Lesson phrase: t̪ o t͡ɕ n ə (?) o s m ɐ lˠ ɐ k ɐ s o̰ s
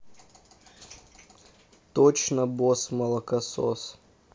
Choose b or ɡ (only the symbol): b